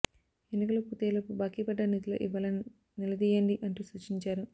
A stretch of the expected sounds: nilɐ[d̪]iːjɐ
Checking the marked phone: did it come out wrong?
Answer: no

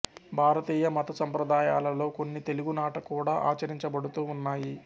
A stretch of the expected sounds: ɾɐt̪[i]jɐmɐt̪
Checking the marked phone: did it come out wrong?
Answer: yes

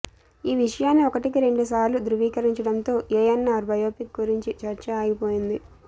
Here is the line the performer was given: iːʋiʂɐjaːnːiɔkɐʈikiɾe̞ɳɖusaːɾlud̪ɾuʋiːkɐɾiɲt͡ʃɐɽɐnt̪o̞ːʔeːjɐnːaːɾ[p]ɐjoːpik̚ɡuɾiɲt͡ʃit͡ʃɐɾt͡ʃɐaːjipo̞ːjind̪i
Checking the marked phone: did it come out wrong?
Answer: yes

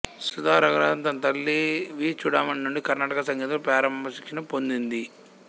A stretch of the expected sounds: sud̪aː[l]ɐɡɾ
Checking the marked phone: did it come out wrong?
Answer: yes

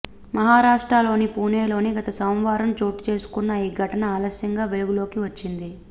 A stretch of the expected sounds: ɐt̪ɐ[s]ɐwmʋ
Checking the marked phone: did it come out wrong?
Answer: no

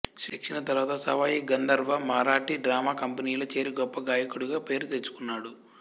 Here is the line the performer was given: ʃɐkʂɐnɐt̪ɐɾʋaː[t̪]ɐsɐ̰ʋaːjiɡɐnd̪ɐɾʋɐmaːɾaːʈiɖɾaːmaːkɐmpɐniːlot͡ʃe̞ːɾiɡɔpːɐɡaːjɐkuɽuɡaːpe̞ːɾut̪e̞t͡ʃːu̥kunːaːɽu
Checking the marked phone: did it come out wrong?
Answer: no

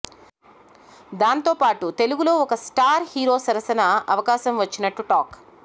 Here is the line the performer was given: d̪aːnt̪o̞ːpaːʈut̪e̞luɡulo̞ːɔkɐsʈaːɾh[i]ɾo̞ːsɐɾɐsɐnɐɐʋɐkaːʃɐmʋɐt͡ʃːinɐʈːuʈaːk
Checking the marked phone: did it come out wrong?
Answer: yes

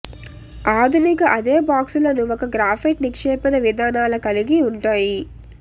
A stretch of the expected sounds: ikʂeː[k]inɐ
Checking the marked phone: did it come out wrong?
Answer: yes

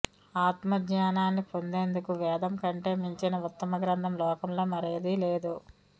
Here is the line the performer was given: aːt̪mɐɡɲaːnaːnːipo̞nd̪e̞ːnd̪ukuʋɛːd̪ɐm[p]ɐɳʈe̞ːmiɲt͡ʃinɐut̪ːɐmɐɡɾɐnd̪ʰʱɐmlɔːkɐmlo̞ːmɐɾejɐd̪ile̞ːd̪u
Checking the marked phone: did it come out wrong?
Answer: yes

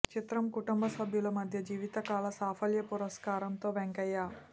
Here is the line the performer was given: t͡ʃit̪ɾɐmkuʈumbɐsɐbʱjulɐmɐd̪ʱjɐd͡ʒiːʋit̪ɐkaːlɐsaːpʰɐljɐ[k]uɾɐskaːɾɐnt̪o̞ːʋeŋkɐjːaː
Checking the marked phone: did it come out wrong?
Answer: yes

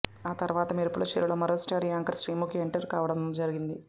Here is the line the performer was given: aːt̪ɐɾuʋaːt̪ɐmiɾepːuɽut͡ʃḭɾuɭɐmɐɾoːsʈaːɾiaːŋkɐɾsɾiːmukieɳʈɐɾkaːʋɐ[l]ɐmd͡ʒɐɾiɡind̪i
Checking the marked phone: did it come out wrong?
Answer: yes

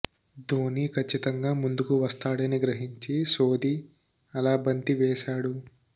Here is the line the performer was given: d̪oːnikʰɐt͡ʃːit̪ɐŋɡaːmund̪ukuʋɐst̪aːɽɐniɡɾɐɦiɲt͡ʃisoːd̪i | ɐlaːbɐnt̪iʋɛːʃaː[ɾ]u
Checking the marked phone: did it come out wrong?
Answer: yes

